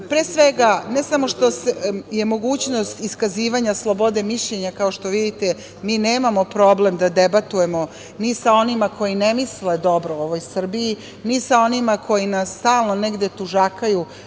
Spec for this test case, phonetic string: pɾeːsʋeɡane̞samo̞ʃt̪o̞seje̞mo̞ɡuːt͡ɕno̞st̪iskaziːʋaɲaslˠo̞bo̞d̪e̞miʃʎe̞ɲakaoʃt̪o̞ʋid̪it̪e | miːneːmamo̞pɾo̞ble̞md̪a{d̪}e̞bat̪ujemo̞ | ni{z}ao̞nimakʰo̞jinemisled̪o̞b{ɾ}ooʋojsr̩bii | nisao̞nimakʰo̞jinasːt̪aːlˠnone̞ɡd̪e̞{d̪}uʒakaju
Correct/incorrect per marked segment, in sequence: correct, incorrect: s, correct, incorrect: t̪

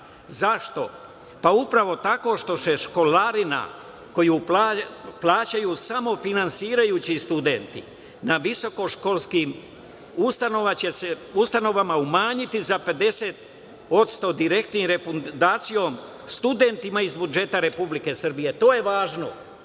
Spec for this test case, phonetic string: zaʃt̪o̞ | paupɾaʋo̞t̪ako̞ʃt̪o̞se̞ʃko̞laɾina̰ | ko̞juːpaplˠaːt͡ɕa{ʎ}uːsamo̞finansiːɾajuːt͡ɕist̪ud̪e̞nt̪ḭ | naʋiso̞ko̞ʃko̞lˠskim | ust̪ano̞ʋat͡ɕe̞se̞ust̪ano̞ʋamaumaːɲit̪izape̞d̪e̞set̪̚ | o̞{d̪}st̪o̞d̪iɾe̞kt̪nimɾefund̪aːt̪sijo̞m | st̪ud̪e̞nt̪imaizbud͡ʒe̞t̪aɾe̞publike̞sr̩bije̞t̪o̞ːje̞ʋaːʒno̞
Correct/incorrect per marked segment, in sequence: incorrect: j, incorrect: t̪

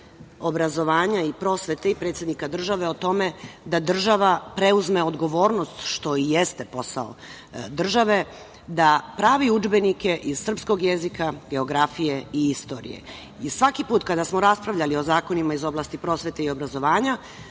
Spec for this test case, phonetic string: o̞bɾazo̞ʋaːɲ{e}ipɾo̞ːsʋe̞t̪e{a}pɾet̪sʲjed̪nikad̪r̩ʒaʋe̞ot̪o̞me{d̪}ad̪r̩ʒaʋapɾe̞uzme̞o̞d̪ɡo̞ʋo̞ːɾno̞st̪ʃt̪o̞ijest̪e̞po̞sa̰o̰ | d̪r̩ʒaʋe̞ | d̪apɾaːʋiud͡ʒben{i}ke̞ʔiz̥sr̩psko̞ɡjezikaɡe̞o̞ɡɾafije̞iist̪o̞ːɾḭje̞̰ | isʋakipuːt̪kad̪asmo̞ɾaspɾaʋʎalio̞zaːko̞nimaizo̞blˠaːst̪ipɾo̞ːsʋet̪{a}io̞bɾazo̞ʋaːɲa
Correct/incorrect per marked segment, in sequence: incorrect: a, incorrect: i, correct, correct, incorrect: e

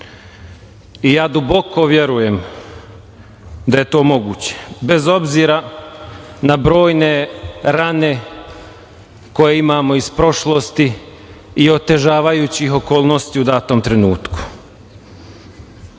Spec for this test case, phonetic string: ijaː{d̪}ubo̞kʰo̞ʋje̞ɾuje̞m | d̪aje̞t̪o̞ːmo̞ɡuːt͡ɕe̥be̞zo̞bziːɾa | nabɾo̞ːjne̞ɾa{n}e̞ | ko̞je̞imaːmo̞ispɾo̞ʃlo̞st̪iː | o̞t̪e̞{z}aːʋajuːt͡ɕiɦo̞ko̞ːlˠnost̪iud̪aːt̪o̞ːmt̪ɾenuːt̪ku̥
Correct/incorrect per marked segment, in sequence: correct, correct, incorrect: ʒ

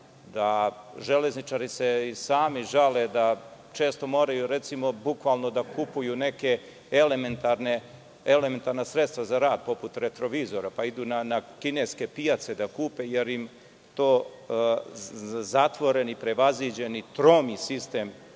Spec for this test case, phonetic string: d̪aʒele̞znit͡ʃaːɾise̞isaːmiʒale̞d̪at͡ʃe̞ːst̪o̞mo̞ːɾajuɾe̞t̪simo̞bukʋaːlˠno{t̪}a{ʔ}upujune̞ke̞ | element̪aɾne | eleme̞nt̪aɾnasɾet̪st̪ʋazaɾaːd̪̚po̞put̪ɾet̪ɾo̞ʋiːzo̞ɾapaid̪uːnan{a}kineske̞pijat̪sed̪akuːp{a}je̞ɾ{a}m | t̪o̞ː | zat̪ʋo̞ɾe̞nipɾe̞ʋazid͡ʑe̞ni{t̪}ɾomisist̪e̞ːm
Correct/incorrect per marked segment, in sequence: incorrect: d̪, incorrect: k, correct, incorrect: e, incorrect: i, correct

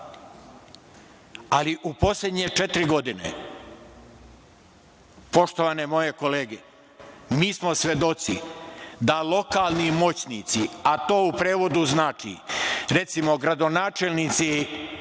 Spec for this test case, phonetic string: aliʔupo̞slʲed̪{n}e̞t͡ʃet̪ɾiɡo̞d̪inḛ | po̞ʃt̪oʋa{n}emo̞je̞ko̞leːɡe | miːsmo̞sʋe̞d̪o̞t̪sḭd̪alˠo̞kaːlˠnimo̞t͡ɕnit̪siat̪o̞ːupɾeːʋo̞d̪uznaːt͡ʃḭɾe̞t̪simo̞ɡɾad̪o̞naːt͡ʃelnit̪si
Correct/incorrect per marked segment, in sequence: incorrect: ɲ, correct

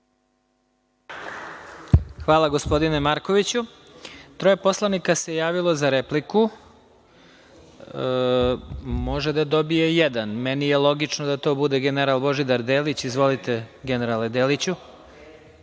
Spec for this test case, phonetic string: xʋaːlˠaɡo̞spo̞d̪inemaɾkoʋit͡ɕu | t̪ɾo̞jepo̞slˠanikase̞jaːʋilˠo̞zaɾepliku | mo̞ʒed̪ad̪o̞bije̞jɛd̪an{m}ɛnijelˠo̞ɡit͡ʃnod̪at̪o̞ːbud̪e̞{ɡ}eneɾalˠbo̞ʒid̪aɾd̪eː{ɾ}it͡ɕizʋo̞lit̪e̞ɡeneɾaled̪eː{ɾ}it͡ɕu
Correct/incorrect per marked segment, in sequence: correct, correct, incorrect: l, incorrect: l

